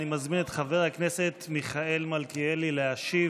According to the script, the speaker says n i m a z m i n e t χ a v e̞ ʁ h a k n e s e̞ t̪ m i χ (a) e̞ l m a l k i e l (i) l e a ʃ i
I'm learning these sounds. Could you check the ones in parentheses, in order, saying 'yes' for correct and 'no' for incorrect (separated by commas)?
yes, yes